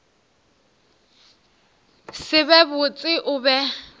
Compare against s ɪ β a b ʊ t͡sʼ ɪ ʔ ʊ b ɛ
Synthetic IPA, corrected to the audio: s ɪ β ɛ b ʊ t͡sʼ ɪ ʔ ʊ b ɛ